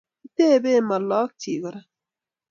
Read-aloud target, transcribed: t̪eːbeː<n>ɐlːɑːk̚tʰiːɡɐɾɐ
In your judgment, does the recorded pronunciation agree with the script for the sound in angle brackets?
no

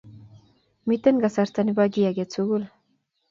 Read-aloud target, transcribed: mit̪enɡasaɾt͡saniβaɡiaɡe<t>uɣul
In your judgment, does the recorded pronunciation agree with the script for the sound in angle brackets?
no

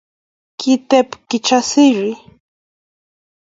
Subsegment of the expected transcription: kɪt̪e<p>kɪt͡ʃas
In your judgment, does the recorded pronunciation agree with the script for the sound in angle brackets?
yes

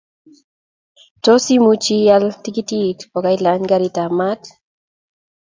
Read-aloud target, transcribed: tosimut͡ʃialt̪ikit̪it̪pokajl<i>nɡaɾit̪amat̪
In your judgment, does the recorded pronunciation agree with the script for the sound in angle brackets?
no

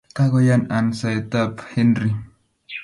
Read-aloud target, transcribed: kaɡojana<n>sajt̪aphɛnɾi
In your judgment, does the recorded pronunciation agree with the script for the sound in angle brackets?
yes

